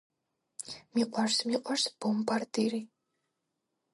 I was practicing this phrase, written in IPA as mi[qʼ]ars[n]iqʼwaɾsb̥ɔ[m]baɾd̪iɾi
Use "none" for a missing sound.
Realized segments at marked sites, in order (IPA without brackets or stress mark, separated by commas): qʼ, m, m